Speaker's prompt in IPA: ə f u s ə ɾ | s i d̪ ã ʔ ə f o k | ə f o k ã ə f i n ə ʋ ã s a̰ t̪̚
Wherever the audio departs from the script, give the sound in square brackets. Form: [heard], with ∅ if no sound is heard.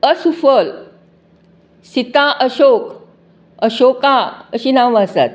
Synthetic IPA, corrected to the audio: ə [s] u [f] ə [l] | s i [t̪] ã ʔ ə [ɕ] o k | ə [ɕ] o k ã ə [ɕ] i n [a] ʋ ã s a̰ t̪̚